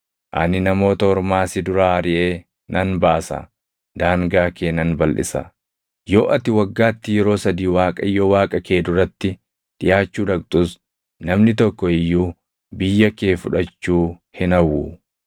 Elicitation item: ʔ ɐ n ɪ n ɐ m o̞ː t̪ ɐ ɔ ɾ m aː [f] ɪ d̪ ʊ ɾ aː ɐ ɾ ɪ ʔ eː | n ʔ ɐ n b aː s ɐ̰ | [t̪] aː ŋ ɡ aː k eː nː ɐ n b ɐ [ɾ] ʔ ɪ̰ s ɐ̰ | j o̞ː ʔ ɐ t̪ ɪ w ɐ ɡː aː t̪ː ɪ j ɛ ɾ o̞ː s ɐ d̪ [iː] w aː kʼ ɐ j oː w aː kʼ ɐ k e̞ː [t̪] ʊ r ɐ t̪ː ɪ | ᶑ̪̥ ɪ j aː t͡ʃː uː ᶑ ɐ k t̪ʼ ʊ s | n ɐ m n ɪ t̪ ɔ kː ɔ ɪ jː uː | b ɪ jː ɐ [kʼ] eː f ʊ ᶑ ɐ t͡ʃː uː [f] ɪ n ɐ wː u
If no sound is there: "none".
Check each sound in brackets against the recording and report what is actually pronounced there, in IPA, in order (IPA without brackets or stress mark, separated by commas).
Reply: s, d̪, l, iː, d̪, k, h